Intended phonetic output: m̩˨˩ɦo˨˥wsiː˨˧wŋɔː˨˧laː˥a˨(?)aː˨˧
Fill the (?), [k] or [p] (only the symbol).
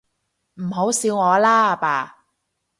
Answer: p